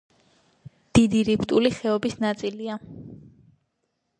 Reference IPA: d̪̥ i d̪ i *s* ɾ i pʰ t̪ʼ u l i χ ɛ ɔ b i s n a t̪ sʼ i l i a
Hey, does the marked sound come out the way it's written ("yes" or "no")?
no